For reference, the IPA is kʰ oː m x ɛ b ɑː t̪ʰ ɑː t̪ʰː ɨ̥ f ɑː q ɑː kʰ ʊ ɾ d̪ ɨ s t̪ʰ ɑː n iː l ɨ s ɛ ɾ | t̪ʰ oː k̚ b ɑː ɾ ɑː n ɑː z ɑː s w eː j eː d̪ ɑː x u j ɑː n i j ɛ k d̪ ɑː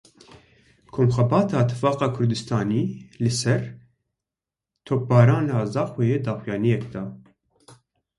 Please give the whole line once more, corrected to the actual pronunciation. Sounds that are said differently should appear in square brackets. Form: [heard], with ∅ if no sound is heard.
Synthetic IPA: kʰ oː m x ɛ b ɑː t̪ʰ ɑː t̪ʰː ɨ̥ f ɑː q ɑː kʰ ʊ ɾ d̪ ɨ s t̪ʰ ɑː n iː l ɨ s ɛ ɾ | t̪ʰ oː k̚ b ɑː ɾ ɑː n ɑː z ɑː [x] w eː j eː d̪ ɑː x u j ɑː n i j ɛ k d̪ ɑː